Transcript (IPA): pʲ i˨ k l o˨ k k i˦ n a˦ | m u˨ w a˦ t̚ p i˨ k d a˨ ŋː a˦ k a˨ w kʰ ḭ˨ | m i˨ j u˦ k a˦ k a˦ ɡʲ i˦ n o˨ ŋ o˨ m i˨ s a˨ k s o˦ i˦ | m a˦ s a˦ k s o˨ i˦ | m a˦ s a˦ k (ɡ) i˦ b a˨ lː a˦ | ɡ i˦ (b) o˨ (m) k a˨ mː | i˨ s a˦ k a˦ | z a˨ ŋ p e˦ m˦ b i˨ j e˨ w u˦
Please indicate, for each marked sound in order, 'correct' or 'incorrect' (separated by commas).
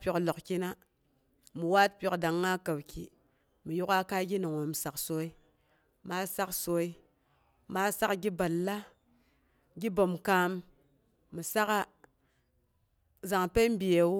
correct, correct, correct